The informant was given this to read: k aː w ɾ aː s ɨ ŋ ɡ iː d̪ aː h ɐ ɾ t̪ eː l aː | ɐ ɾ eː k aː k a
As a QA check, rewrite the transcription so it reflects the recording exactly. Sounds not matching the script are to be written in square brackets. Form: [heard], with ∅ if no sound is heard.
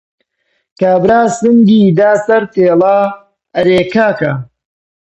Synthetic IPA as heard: k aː [b] ɾ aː s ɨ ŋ ɡ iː d̪ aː [s] ɐ ɾ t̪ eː l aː | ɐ ɾ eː k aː k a